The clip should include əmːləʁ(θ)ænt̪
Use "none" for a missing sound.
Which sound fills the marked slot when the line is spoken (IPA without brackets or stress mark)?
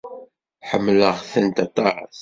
θ